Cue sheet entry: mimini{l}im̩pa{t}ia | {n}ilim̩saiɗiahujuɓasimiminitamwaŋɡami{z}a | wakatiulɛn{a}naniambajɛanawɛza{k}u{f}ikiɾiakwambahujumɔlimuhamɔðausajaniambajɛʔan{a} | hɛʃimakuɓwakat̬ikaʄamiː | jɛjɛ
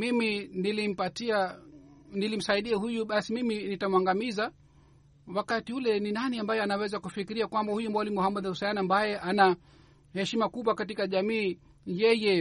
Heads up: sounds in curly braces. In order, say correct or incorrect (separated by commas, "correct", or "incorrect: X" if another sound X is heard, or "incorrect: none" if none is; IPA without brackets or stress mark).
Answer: correct, correct, correct, correct, incorrect: i, correct, correct, correct